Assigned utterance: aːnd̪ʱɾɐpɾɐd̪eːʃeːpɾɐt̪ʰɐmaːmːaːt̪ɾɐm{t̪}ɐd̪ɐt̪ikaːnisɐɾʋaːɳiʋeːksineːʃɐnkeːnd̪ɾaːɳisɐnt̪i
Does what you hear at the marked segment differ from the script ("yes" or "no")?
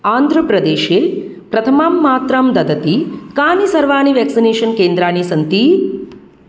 yes